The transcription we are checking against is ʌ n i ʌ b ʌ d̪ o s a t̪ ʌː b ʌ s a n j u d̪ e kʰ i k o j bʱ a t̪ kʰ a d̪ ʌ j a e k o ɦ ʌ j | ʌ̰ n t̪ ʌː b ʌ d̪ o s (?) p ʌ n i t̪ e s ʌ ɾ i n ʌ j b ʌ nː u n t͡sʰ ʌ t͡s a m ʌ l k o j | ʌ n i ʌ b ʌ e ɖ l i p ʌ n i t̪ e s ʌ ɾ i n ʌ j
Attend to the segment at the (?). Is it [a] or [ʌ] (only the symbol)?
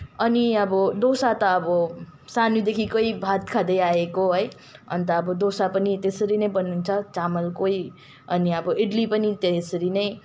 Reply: a